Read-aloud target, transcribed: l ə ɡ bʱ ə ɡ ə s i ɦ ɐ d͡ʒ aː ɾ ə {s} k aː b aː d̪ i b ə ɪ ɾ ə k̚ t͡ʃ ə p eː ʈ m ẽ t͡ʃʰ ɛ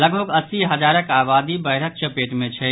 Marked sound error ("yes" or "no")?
yes